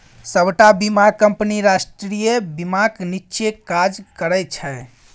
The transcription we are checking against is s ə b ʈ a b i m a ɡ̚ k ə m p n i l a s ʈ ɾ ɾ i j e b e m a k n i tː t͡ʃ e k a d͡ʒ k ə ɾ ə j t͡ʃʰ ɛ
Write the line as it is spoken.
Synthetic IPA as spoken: s ə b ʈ a b i m a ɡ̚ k ə m p n i ɾ a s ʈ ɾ ɾ i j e b i m a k n i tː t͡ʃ e k a d͡ʒ k ə ɾ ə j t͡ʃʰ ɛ